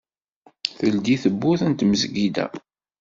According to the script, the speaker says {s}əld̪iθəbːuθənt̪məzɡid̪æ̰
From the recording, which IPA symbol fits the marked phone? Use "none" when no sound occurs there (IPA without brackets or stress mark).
θ